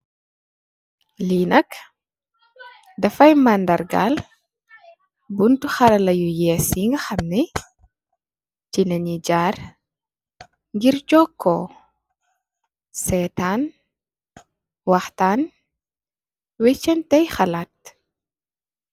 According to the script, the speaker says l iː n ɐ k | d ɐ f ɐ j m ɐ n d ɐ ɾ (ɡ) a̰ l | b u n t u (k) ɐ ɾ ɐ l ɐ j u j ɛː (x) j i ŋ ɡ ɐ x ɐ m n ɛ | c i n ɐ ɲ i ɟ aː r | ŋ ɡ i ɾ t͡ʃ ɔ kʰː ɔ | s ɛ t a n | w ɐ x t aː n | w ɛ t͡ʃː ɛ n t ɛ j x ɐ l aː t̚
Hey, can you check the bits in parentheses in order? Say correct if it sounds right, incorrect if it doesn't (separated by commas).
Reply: correct, incorrect, incorrect